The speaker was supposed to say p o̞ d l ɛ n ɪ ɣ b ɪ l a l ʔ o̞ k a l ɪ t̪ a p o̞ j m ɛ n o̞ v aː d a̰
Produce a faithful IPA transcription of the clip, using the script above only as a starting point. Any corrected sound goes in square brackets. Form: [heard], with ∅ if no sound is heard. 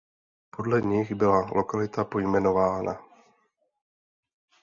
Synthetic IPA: p o̞ d l ɛ [ɲ] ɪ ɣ b ɪ l a l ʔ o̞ k a l ɪ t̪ a p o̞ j m ɛ n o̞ v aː [n] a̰